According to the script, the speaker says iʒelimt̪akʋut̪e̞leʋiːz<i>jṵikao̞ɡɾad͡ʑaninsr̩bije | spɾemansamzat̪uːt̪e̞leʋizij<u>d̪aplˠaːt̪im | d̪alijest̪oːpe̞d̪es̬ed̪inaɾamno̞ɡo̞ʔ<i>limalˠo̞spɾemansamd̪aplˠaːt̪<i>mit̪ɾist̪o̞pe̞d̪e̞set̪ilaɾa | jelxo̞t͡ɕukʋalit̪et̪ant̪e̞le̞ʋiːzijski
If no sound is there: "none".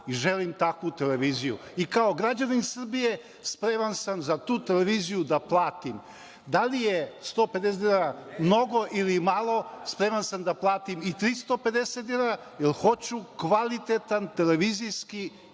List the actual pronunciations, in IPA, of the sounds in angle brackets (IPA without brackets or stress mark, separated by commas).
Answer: i, u, i, i